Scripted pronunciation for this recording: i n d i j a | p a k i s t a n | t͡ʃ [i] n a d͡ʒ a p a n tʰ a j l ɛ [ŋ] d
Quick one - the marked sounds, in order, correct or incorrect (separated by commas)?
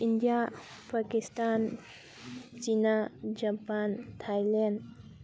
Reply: correct, incorrect